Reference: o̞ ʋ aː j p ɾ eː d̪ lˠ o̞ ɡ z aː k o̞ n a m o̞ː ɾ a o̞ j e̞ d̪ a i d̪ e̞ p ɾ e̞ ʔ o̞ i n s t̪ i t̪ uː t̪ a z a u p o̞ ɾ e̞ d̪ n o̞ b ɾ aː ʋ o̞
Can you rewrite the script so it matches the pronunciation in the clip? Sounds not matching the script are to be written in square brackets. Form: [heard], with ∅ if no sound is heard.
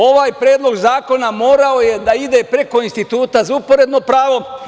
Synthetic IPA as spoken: o̞ ʋ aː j p ɾ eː d̪ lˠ o̞ ɡ z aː k o̞ n a m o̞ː ɾ a o̞ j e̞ d̪ a i d̪ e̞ p ɾ e̞ [k] o̞ i n s t̪ i t̪ uː t̪ a z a u p o̞ ɾ e̞ d̪ n o̞ [p] ɾ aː ʋ o̞